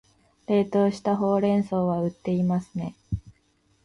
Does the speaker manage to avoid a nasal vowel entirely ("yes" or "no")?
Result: no